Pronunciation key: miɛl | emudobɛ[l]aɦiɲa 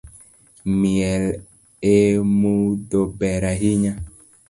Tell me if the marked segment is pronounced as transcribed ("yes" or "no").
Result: no